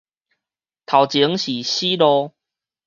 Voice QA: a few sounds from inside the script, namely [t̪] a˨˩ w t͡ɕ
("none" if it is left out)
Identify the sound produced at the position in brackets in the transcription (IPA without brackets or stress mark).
t̪ʰ